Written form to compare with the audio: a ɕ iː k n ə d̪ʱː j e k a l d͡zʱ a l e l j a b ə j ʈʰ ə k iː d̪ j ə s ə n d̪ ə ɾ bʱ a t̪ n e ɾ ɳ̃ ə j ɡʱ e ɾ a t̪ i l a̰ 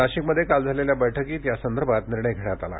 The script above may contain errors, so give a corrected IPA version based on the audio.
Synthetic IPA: a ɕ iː k m ə d̪ʱː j e k a l d͡zʱ a l e l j a b ə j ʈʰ ə k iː t̪ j a s ə n d̪ ə ɾ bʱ a t̪ n i ɾ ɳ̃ ə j ɡʱ e ɽ a t̪ a l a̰